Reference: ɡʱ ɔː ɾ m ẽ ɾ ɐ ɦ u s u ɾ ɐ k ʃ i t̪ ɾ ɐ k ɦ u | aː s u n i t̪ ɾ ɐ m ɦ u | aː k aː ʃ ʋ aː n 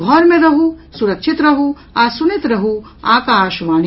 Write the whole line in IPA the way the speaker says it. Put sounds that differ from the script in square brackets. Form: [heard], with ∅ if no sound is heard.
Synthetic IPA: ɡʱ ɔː ɾ m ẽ ɾ ɐ ɦ u s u ɾ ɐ k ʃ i t̪ ɾ ɐ [∅] ɦ u | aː s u n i t̪ ɾ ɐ [∅] ɦ u | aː k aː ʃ ʋ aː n